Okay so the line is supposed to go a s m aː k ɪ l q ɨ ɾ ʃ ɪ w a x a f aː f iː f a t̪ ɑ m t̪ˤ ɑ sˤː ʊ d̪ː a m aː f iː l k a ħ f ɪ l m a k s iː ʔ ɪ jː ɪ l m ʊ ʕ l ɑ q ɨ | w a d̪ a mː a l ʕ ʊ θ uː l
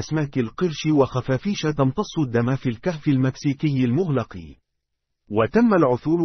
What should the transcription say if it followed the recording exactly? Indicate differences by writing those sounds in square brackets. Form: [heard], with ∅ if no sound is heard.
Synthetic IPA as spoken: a s m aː k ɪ l q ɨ ɾ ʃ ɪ w a x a f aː f iː [ʃ] a t̪ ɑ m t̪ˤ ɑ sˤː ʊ d̪ː a m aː f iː l k a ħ f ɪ l m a k s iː [k] ɪ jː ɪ l m ʊ [ɣ] l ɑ q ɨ | w a [t̪] a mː a l ʕ ʊ θ uː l